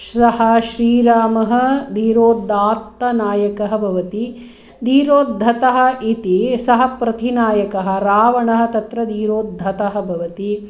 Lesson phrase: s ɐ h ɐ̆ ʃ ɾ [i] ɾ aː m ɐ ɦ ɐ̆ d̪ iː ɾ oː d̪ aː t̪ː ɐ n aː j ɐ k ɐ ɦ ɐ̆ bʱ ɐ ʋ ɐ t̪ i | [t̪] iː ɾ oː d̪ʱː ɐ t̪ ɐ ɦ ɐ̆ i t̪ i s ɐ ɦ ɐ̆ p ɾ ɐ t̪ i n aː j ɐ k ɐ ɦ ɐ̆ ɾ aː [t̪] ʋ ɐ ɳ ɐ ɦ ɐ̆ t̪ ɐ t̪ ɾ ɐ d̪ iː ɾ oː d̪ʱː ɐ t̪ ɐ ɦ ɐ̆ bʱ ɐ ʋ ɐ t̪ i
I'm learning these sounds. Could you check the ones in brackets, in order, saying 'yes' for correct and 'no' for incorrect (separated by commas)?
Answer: no, no, no